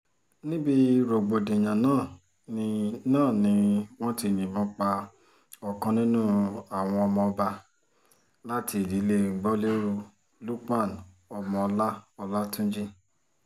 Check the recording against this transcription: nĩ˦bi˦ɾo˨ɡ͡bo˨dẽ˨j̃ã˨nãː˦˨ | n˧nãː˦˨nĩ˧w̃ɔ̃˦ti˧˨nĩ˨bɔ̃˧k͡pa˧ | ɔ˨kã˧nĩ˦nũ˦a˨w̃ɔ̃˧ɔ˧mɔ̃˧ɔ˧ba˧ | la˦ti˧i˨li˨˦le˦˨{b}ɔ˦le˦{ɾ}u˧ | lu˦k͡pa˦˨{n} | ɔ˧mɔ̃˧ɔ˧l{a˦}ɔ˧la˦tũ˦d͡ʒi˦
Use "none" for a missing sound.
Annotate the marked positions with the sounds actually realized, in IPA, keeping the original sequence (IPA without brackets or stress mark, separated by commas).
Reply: ɡ͡b, ɾ, n, a˦